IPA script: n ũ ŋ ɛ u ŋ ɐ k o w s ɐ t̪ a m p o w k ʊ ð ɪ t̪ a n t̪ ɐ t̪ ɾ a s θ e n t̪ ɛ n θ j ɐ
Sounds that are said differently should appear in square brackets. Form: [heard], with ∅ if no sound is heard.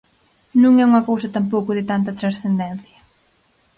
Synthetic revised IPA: n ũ ŋ ɛ u ŋ ɐ k o w s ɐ t̪ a m p o w k ʊ ð ɪ t̪ a n t̪ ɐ t̪ ɾ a s θ e n [d̪] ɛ n θ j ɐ